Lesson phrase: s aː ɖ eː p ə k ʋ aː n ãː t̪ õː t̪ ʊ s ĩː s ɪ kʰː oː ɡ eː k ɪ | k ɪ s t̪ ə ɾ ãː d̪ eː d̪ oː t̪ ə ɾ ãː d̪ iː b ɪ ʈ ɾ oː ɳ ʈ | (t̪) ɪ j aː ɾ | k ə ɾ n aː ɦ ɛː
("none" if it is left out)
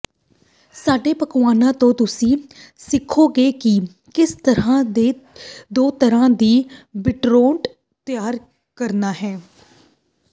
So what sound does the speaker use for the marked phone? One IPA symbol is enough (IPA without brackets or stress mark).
t̪